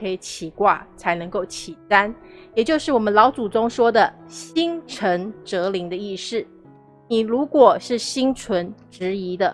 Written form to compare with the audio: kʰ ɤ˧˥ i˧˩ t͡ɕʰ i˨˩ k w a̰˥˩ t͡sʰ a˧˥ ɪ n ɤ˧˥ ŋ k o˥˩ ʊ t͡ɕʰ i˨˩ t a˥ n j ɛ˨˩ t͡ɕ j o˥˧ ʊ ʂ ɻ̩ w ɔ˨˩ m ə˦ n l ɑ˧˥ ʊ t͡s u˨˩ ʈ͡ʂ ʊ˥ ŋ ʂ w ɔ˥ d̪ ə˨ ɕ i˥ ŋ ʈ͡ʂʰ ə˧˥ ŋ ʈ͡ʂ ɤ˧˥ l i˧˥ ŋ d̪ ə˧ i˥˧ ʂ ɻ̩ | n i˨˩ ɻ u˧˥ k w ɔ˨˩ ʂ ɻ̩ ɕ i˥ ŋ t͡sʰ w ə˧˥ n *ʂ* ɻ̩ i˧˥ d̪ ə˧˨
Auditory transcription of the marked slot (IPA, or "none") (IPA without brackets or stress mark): ʈ͡ʂ